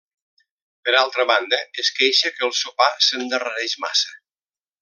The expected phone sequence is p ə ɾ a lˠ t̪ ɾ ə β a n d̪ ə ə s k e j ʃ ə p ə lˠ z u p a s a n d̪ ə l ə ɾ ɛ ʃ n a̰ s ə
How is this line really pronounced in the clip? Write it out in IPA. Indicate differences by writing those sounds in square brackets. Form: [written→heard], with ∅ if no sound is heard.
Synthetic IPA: p ə ɾ a lˠ t̪ ɾ ə β a n d̪ ə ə s k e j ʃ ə [p→k] ə lˠ [z→s] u p a s [a→ə] n d̪ ə [l→r] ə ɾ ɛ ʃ [n→m] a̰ s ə